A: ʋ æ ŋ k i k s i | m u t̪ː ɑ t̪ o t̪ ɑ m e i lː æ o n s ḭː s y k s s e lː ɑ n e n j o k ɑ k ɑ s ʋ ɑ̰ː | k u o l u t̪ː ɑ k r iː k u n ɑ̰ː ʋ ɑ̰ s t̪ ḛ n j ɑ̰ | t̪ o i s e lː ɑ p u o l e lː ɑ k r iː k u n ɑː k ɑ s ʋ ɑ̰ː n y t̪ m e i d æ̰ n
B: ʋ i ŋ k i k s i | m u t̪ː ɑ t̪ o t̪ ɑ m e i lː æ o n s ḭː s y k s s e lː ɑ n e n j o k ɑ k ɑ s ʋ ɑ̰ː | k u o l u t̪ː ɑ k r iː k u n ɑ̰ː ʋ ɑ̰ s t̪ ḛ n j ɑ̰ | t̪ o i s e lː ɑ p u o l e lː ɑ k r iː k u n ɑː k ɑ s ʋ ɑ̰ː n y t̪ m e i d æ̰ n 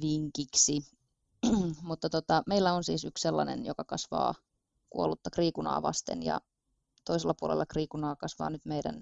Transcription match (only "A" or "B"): B